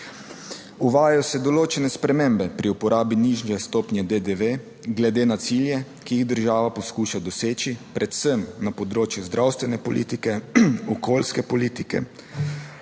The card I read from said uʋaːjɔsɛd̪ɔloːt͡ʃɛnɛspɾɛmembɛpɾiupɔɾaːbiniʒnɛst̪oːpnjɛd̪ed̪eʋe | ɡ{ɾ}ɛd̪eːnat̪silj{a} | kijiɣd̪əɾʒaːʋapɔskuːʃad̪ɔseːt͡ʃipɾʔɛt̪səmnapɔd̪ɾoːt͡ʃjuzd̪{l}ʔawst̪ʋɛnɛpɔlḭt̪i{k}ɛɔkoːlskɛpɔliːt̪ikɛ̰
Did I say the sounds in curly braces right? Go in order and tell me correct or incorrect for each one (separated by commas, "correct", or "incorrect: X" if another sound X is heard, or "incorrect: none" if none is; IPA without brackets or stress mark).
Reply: incorrect: l, incorrect: ɛ, incorrect: ɾ, correct